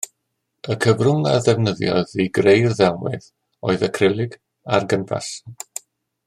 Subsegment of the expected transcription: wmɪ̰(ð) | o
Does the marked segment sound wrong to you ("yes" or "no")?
no